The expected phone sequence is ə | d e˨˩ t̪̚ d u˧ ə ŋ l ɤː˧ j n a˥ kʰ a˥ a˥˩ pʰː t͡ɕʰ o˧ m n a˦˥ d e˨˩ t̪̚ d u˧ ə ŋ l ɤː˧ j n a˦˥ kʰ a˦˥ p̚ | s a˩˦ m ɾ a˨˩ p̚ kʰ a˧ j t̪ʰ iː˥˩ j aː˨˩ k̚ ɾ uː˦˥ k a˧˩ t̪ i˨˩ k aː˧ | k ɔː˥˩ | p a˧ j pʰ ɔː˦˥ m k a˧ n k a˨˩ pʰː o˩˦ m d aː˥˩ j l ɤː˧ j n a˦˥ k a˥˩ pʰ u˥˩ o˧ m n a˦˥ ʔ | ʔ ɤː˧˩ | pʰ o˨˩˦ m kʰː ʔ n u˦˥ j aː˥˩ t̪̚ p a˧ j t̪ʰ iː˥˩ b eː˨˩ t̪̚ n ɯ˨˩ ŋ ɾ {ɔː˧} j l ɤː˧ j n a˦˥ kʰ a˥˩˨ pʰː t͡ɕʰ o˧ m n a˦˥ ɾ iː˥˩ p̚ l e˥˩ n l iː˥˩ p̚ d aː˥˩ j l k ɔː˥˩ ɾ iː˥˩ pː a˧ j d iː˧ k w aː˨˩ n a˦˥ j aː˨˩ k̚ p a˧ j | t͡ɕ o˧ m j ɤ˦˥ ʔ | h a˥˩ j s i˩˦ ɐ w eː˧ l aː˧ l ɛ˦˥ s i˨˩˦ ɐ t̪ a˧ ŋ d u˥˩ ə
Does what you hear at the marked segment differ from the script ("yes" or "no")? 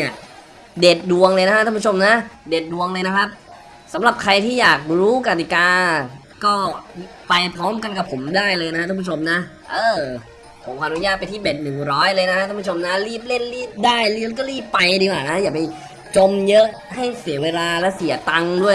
yes